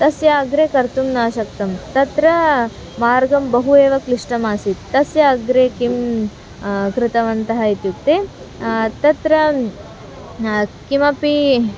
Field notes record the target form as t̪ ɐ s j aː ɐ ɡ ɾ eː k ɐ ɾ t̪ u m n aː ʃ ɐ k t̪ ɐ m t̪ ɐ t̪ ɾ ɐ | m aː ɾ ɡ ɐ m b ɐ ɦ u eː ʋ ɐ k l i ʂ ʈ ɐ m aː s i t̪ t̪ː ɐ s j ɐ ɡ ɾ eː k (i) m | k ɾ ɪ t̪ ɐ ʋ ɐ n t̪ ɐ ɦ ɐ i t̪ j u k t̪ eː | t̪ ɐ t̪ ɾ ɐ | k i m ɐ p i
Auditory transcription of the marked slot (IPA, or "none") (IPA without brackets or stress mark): i